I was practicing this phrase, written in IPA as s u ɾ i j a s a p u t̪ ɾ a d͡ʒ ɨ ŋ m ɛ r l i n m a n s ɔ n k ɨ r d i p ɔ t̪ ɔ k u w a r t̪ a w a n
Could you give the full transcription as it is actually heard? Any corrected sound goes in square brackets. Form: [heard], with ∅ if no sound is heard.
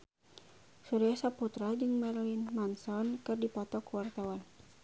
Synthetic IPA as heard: s u ɾ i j a s a p u t̪ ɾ a d͡ʒ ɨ ŋ m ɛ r l i n m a n s ɔ n k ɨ r d i p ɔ t̪ ɔ k u w a r t̪ a w a n